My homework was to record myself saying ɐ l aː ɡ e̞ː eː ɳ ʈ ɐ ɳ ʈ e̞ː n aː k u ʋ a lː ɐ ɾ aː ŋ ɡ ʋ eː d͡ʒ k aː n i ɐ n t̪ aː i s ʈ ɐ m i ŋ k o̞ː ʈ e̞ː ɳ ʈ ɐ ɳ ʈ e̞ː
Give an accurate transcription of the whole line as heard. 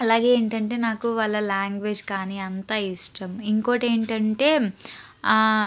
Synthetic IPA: ɐ l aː ɡ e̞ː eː ɳ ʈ ɐ ɳ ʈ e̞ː n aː k u ʋ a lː ɐ l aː ŋ ɡ ʋ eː d͡ʒ k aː n i ɐ n t̪ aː i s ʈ ɐ m i ŋ k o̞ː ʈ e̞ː ɳ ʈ ɐ ɳ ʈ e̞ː